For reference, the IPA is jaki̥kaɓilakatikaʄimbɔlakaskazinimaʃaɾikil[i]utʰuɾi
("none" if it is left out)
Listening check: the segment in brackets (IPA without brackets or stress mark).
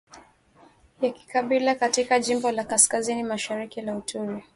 a